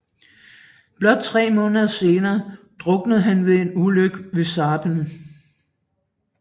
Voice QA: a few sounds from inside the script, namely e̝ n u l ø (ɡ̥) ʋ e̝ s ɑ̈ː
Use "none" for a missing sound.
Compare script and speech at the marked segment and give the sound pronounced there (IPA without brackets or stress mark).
ɡ̥